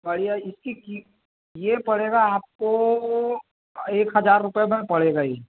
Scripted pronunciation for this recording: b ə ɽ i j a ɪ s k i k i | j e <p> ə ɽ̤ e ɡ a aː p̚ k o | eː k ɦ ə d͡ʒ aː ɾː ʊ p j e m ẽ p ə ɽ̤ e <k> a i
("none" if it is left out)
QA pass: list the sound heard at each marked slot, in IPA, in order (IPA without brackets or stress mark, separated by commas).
p, ɡ